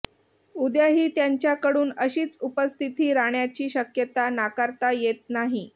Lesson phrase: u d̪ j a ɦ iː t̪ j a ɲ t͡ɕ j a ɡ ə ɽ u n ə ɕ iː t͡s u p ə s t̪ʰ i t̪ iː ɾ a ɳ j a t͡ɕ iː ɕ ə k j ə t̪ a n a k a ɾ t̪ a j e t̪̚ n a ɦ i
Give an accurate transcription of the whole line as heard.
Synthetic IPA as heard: u d̪ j a ɦ iː t̪ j a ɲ t͡ɕ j a k ə ɽ uː n ə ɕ iː t͡s u p ə s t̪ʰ i t̪ iː ɾ a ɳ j a t͡ɕ iː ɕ ə k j ə t̪ a n a k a ɾ t̪ a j e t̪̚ n a ɦ i